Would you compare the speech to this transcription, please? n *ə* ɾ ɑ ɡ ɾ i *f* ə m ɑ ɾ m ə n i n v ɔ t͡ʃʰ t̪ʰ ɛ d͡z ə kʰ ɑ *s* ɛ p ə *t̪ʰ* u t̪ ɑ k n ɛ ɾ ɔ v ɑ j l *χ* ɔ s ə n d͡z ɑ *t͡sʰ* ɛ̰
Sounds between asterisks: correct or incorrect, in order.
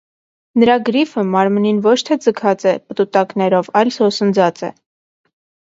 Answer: correct, correct, incorrect, incorrect, incorrect, incorrect

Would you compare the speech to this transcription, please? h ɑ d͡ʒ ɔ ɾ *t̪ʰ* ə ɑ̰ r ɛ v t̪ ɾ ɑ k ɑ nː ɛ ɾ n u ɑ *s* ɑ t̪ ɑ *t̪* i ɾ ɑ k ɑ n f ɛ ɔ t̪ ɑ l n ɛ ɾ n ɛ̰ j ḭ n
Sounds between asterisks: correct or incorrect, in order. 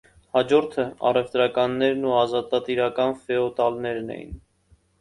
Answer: correct, incorrect, correct

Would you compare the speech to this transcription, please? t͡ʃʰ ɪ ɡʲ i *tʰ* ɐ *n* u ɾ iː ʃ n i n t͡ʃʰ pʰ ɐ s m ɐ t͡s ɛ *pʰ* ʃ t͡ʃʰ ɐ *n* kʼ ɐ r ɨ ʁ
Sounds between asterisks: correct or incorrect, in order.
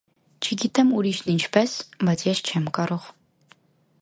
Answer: correct, incorrect, incorrect, incorrect

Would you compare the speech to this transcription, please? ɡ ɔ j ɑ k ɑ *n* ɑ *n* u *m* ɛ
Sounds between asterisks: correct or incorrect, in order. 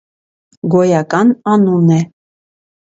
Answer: correct, correct, incorrect

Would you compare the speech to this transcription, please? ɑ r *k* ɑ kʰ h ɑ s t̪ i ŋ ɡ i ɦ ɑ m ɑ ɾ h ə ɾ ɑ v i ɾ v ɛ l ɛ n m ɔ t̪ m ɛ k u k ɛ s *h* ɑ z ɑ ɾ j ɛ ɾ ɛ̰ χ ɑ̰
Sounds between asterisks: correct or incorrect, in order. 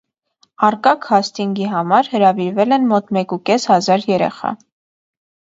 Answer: correct, correct

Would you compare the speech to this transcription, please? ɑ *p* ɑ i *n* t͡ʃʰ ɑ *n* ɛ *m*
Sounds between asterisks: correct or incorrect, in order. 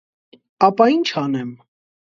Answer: correct, correct, correct, correct

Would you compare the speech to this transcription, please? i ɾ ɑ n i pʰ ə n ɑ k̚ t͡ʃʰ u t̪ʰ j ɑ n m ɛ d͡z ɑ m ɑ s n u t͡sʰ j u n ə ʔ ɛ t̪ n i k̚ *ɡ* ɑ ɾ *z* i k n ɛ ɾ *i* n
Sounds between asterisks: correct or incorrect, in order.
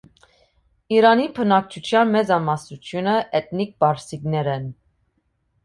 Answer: incorrect, incorrect, incorrect

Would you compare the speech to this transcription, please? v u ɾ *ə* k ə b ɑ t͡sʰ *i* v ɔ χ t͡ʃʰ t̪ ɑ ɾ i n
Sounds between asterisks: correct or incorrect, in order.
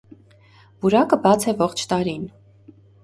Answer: incorrect, incorrect

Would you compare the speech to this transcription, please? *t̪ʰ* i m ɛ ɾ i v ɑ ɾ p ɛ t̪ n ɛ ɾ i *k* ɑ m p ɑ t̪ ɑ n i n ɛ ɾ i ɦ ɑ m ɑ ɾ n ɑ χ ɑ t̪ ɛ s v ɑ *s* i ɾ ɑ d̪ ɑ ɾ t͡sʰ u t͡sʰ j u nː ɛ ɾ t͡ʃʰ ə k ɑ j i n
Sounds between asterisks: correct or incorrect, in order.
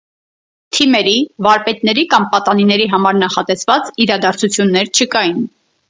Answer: correct, correct, incorrect

